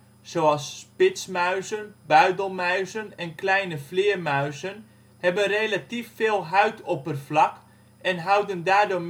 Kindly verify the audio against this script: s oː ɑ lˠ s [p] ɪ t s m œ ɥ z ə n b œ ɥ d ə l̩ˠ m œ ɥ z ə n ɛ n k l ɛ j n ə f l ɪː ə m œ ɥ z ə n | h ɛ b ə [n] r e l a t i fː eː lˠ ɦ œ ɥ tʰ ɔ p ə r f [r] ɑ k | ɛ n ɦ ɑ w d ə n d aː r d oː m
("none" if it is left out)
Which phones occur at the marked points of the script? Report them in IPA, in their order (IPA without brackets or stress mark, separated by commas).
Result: p, n, l